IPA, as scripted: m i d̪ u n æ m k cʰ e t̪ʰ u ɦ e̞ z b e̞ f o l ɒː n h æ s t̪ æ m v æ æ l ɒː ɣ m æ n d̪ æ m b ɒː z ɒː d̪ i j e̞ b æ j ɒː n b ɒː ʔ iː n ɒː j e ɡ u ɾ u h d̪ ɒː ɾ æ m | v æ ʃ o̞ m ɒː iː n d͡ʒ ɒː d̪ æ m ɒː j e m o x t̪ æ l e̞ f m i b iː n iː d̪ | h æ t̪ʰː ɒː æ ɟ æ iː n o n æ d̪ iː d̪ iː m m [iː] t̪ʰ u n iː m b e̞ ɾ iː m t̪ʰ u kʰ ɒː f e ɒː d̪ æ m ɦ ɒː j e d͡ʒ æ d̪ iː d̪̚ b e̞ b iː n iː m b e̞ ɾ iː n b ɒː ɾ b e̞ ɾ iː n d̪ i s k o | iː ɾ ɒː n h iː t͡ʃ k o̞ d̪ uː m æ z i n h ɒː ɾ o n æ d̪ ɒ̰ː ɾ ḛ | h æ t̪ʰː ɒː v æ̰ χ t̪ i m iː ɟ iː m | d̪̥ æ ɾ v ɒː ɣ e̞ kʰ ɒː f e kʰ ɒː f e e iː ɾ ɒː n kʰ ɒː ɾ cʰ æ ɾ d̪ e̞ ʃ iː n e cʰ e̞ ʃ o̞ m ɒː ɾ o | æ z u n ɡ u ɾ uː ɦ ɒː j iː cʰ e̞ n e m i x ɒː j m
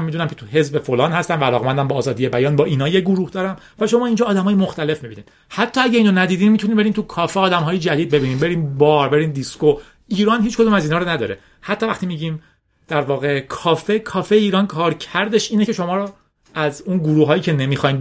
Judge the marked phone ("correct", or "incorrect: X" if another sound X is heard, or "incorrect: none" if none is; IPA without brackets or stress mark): incorrect: i